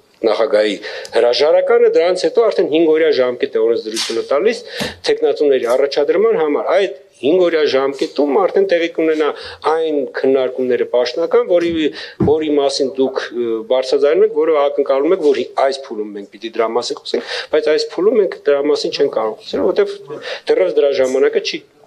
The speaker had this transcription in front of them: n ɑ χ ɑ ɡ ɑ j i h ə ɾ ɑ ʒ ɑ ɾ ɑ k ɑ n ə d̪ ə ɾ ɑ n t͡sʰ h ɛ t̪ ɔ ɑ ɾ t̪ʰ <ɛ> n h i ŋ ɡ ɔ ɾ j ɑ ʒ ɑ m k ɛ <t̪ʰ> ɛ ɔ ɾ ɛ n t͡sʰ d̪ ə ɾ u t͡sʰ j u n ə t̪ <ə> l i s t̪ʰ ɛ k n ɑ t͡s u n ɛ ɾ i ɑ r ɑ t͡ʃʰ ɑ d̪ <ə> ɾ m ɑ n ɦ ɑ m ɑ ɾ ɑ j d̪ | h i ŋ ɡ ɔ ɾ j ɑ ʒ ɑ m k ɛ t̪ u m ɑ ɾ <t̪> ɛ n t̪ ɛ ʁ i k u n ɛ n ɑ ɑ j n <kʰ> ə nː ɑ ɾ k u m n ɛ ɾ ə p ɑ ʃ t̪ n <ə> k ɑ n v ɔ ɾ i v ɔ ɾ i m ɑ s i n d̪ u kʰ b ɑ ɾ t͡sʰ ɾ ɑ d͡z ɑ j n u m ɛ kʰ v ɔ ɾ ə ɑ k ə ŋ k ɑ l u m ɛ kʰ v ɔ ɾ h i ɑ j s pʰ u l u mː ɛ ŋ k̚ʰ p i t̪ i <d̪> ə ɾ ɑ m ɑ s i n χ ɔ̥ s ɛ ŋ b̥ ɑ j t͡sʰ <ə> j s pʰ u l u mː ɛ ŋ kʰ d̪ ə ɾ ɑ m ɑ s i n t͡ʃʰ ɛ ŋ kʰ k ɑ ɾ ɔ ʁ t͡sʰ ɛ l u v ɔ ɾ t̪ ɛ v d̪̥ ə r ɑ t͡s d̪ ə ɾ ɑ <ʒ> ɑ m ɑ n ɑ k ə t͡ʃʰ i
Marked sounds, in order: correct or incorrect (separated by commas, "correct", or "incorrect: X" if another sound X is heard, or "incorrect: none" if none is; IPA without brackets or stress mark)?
correct, incorrect: t̪, incorrect: ɑ, correct, incorrect: t̪ʰ, correct, incorrect: ɑ, correct, incorrect: ɑ, correct